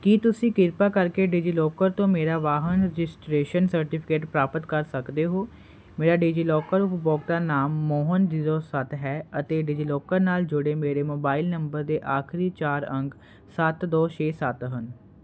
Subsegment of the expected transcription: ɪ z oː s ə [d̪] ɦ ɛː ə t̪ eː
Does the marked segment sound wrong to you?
yes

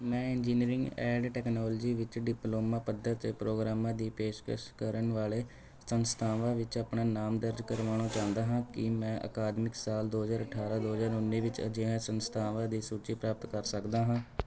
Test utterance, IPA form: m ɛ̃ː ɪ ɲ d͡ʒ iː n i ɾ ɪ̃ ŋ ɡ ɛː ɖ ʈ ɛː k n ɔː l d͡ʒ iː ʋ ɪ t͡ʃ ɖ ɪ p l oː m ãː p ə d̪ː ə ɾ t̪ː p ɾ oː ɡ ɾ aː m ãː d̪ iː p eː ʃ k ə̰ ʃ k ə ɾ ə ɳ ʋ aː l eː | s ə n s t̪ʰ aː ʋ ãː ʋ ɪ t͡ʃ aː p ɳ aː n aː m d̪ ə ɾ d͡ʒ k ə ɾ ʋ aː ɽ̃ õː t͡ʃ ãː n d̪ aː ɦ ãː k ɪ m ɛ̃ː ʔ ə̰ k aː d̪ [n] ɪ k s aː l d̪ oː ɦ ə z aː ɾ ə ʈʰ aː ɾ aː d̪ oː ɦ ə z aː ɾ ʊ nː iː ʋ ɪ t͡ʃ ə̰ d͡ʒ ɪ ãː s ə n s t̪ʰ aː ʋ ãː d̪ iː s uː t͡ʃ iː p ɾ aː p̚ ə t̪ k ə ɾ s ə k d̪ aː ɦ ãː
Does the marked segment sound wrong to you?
yes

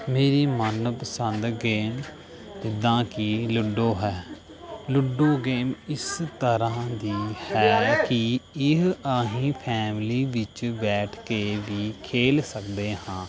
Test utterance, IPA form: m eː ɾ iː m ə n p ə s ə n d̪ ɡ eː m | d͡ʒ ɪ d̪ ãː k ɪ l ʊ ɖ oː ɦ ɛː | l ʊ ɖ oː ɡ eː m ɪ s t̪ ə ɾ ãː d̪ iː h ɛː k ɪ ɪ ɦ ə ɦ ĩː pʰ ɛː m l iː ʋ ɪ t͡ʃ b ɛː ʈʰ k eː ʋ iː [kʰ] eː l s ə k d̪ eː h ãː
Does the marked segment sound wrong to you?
no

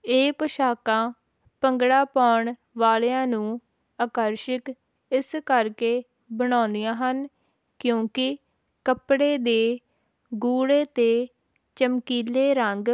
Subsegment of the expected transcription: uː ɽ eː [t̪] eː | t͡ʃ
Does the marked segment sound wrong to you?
no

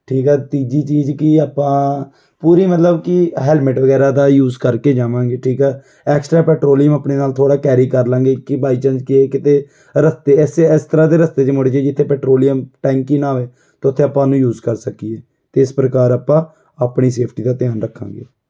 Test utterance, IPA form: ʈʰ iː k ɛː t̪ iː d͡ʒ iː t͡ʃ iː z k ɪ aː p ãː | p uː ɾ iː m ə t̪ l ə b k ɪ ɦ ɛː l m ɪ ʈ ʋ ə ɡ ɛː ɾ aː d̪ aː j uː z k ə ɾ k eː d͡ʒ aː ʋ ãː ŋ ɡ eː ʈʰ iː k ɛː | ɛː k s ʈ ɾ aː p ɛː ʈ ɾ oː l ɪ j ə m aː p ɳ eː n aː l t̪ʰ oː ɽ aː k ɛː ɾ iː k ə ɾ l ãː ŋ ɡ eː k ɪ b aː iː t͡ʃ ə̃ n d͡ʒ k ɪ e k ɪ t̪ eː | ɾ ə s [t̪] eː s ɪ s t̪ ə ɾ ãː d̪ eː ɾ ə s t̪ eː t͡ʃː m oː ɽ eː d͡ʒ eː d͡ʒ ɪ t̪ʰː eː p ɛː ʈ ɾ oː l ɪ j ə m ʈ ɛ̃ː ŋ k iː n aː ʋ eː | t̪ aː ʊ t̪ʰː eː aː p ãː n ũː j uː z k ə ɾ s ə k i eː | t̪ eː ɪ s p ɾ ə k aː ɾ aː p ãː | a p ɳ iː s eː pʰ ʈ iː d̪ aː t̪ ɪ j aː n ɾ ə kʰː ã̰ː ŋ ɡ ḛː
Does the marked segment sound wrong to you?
no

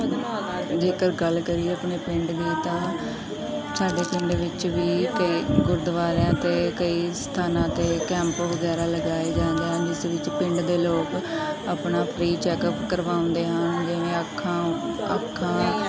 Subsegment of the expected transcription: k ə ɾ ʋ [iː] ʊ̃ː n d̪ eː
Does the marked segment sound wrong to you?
yes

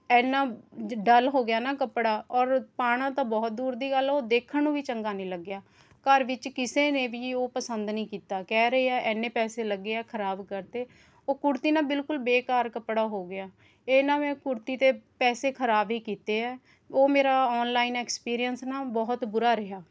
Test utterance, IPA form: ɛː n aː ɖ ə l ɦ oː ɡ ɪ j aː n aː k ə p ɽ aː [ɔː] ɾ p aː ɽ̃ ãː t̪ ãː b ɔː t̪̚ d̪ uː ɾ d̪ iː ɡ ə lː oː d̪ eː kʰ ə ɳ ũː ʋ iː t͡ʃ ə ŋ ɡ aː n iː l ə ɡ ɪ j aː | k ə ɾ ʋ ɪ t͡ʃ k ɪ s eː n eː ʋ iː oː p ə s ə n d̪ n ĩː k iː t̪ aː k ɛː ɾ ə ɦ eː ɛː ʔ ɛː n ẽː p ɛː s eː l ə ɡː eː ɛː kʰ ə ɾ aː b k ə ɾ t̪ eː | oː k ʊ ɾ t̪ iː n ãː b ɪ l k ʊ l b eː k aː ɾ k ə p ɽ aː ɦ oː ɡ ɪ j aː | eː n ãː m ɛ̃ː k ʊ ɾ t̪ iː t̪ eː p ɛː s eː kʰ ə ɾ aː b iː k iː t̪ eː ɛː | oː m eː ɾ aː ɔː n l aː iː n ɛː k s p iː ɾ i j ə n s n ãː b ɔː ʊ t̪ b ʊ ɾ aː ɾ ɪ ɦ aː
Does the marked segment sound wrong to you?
no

